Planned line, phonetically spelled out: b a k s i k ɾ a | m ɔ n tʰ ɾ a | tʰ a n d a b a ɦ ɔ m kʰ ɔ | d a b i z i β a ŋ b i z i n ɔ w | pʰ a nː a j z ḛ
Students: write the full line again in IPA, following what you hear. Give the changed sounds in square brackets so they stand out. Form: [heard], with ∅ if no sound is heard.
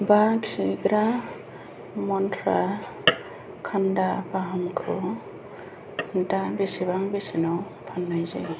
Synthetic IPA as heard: b a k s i [ɡ] ɾ a | m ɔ n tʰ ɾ a | [kʰ] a n d a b a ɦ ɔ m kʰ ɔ | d a b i [s] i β a ŋ b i [s] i n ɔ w | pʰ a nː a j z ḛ